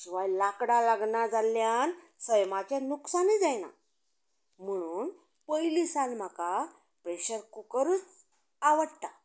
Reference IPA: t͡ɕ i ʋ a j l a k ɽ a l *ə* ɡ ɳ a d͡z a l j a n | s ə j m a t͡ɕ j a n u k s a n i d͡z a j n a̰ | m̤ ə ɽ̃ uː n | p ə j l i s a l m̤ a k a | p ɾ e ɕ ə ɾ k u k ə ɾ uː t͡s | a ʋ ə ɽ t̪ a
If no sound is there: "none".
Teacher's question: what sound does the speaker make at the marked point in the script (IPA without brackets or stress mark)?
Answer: a